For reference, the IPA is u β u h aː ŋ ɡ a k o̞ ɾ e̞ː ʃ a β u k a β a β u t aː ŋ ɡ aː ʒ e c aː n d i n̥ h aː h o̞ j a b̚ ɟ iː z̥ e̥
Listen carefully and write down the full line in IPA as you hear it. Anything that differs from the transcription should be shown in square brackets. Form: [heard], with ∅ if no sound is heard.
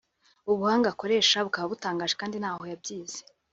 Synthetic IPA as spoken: u β u h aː ŋ ɡ a k o̞ ɾ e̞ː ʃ a β u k a β a β u t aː ŋ ɡ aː ʒ e [k] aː n d i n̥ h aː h o̞ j a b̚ ɟ iː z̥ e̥